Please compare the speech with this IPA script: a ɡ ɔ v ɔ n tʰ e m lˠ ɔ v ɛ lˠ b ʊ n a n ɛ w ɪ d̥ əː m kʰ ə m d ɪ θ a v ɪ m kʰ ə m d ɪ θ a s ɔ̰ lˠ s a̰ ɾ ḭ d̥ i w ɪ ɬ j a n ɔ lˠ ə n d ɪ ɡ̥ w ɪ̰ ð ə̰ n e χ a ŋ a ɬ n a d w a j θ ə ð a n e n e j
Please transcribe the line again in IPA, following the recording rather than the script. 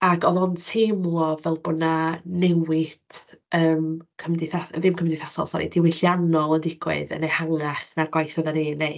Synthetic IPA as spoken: a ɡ ɔ ð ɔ n tʰ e m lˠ ɔ v ɛ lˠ b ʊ n a n ɛ w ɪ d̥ əː m kʰ ə m d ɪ θ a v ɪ m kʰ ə m d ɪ θ a s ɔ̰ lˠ s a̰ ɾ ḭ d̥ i w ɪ ɬ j a n ɔ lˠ ə n d ɪ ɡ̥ w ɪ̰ ð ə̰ n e h a ŋ a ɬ n a ɡ w a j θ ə ð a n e n e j

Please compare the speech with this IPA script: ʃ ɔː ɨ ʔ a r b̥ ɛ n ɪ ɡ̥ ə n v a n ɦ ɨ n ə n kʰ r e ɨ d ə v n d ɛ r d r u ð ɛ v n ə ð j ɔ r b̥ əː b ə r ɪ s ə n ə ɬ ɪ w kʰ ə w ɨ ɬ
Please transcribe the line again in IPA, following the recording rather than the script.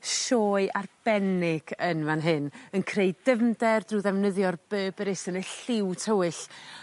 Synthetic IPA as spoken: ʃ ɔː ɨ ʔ a r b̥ ɛ n ɪ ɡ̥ ə n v a n ɦ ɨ n ə n kʰ r e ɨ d ə v n d ɛ r d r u ð ɛ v n ə ð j ɔ r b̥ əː b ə ɾ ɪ s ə n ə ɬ ɪ w tʰ ə w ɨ ɬ

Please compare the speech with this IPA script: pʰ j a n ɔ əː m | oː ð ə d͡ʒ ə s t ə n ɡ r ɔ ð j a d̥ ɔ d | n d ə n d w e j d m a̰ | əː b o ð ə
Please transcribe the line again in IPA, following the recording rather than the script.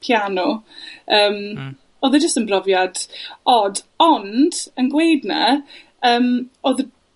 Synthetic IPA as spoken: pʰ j a n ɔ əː m | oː ð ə d͡ʒ ə s t ə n b r ɔ v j a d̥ ɔ d | n d ə n ɡ w e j d n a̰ | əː m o ð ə

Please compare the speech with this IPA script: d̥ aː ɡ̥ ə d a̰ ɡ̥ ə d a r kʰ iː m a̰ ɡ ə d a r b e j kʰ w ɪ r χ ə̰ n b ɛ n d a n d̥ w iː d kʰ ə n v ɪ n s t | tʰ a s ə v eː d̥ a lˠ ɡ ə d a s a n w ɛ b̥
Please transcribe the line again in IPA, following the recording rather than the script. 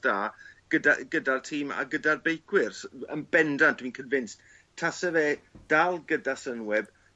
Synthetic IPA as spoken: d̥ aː ɡ̥ ə d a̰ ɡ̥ ə d a r tʰ iː m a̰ ɡ ə d a r b e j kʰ w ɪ r s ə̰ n b ɛ n d a n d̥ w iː n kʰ ə n v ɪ n s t | tʰ a s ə v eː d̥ a lˠ ɡ ə d a s ə n w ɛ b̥

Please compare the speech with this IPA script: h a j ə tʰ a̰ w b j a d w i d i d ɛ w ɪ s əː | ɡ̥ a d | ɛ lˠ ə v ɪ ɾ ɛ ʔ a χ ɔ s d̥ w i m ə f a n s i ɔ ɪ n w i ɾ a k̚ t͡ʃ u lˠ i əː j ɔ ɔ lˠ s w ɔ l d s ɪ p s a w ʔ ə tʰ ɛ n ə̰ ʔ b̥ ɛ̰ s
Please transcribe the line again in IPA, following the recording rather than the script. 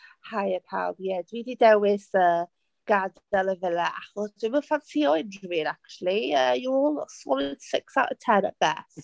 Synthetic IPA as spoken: h a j ə pʰ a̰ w b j ɛ d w i d i d ɛ w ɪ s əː | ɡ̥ a d | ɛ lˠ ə v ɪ l ɛ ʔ a χ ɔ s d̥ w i m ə f a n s i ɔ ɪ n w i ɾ a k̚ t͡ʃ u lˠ i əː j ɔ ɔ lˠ s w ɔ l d s ɪ k s a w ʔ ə tʰ ɛ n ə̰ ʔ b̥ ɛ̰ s

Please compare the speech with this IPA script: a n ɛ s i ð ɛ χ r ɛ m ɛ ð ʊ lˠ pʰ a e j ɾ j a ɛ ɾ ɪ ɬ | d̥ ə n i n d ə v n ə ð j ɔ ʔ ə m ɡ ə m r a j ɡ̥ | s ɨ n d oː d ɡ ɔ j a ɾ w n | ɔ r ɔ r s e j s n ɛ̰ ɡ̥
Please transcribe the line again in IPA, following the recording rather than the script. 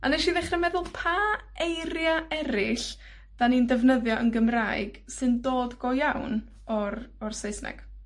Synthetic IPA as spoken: a n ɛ ʃ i ð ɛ χ r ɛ m ɛ ð ʊ lˠ pʰ a e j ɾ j a ɛ ɾ ɪ ɬ | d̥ a n i n d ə v n ə ð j ɔ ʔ ə n ɡ ə m r a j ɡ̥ | s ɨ n d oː d ɡ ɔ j a w n | ɔ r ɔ r s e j s n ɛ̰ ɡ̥

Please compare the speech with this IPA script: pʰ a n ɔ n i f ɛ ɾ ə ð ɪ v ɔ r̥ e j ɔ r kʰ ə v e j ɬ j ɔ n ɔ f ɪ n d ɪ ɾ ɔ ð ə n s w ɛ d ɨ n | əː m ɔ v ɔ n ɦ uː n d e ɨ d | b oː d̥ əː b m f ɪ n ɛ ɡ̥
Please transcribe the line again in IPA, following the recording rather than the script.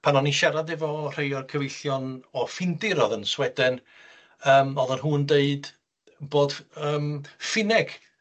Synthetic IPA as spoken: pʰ a n ɔ n i ʃ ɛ ɾ a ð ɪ v ɔ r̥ e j ɔ r kʰ ə v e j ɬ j ɔ n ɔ f ɪ n d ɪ ɾ ɔ ð ə n s w ɛ d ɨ n | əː m ɔ ð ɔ n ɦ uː n d e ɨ d | b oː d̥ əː m f ɪ n ɛ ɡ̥

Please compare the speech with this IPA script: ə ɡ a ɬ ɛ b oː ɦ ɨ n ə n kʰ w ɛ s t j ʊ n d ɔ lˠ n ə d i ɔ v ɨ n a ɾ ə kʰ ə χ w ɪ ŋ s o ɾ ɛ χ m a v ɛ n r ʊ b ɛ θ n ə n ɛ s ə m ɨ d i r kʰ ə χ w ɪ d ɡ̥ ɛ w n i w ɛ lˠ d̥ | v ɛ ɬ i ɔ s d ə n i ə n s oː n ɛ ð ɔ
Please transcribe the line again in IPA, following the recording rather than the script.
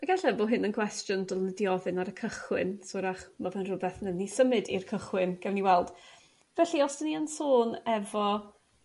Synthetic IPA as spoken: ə ɡ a ɬ ɛ b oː ɦ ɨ n ə n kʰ w ɛ s t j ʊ n d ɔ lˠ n ə d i ɔ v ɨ n a ɾ ə kʰ ə χ w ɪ n s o ɾ a χ m a v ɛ n r ʊ b ɛ θ n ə n i s ə m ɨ d i r kʰ ə χ w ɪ n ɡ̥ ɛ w n i w ɛ lˠ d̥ | v ɛ ɬ i ɔ s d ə n i ə n s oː n ɛ v ɔ

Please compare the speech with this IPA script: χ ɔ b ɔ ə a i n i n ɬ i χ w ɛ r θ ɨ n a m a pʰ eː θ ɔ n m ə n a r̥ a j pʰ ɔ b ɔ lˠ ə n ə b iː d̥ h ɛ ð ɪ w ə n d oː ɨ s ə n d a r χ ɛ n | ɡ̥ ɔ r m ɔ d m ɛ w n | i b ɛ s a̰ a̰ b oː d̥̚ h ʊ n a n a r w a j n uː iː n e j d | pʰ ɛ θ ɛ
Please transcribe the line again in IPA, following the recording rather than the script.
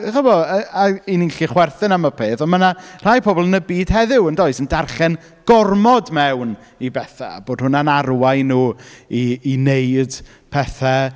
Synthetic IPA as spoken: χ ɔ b ɔ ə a i n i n ɬ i χ w ɛ r θ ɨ n a m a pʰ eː θ ɔ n m ə n a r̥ a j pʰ ɔ b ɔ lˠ ə n ə b iː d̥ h ɛ ð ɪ w ə n d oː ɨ s ə n d a r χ ɛ n | ɡ̥ ɔ r m ɔ d m ɛ w n | i b ɛ θ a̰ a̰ b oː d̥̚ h ʊ n a n a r w a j n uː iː n e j d | pʰ ɛ θ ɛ

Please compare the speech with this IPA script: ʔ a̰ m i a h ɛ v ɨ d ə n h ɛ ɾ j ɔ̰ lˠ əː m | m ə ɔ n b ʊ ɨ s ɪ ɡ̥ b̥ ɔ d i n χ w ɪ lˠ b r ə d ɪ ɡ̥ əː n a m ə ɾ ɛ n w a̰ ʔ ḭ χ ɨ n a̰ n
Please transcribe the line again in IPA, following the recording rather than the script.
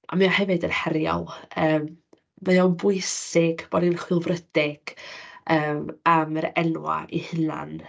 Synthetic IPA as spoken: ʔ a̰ m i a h ɛ v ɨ d ə n h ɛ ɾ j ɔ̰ lˠ əː m | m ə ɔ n b ʊ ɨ s ɪ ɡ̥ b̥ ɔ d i n χ w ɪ lˠ v r ə d ɪ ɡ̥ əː m a m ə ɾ ɛ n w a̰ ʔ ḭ h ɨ n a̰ n

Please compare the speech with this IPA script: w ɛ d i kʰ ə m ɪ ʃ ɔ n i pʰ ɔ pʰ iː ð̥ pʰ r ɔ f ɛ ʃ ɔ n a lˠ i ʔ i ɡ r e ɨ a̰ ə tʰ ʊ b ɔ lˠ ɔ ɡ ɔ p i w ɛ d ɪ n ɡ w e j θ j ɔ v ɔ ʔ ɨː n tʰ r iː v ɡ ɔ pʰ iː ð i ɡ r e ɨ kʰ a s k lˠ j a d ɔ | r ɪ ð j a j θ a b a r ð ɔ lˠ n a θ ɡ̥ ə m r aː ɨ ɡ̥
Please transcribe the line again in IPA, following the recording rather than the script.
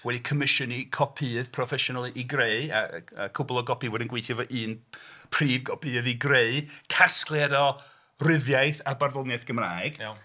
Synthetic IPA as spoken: w ɛ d i kʰ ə m ɪ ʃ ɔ n i kʰ ɔ pʰ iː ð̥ pʰ r ɔ f ɛ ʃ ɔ n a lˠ i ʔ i ɡ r e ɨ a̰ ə kʰ ʊ b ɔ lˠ ɔ ɡ ɔ p i w ɛ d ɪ n ɡ w e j θ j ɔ v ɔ ʔ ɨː n pʰ r iː v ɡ ɔ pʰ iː ð i ɡ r e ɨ kʰ a s k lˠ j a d ɔ | r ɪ ð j a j θ a b a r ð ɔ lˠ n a θ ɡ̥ ə m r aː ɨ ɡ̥

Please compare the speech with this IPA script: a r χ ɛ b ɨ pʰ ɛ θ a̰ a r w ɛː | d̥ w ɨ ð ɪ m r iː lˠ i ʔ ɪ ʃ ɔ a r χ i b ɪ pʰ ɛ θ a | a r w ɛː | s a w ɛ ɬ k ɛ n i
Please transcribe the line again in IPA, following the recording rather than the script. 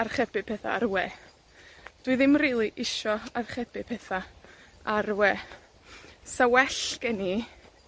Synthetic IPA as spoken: a r χ ɛ b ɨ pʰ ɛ θ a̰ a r w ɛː | d̥ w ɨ ð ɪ m r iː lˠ i ʔ ɪ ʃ ɔ a r χ ɛ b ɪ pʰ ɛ θ a | a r w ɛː | s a w ɛ ɬ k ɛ n i

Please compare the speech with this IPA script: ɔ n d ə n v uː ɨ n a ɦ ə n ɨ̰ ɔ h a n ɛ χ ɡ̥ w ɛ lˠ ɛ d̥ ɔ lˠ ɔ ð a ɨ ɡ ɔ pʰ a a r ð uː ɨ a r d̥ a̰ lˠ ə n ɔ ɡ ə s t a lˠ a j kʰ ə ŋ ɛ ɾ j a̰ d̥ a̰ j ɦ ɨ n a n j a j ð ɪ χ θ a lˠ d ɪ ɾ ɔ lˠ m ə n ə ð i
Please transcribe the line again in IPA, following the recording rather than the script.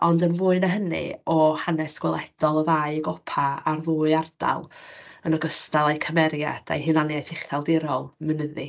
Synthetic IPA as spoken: ɔ n d ə n v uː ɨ n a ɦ ə n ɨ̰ ɔ h a n ɛ s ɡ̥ w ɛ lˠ ɛ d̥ ɔ lˠ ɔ ð a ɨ ɡ ɔ pʰ a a r ð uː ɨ a r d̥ a̰ lˠ ə n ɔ ɡ ə s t a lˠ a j kʰ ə m ɛ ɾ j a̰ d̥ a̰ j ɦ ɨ n a n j a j θ ɪ χ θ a lˠ d ɪ ɾ ɔ lˠ m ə n ə ð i

